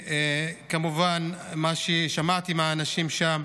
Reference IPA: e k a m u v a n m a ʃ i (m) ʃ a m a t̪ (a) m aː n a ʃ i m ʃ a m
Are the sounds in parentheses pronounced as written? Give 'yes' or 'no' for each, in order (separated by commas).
no, no